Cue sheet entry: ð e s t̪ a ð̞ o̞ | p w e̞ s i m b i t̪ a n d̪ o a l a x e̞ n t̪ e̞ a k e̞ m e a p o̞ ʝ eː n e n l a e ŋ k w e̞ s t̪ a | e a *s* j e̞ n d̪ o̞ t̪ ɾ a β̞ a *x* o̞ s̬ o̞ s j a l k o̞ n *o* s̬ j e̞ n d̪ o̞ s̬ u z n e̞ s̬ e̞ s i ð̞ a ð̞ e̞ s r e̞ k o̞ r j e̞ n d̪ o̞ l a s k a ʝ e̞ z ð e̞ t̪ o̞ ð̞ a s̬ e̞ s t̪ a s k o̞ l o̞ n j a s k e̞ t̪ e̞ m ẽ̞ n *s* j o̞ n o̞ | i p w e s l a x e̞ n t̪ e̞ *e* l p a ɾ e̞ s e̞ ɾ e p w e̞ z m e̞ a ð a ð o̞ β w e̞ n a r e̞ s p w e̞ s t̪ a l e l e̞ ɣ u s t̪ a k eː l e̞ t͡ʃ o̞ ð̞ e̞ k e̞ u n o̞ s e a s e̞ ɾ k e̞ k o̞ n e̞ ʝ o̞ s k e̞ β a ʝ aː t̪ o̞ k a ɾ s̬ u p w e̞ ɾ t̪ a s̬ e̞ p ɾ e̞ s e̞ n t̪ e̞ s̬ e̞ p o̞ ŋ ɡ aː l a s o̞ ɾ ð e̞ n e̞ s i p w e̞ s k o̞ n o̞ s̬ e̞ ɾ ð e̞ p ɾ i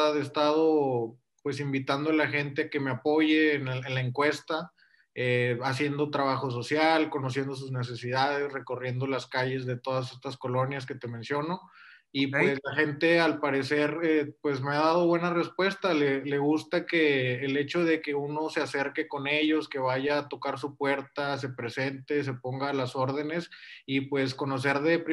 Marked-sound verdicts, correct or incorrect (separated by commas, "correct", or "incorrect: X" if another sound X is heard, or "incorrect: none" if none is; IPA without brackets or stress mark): correct, correct, correct, correct, incorrect: a